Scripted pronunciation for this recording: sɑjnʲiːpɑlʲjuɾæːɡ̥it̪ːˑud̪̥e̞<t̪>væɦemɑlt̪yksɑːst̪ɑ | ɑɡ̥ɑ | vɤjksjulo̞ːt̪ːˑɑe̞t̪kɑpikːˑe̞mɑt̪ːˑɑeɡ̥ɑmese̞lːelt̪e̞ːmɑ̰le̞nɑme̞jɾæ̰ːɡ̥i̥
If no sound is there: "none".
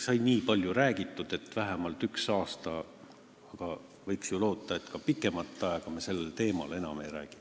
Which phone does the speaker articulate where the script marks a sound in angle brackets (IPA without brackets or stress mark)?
t̪